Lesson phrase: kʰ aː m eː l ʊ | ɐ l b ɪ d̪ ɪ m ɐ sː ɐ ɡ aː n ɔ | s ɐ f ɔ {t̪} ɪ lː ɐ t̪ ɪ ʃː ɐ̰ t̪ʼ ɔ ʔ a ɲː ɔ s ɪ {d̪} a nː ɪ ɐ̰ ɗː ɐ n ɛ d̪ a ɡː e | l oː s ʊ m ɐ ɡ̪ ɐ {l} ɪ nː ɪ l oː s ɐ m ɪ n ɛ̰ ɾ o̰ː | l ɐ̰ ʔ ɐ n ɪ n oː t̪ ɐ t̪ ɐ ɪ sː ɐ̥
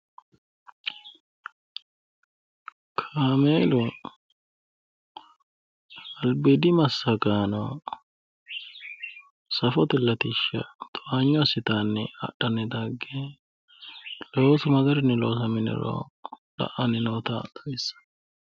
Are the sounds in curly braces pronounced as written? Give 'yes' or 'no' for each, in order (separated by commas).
yes, no, no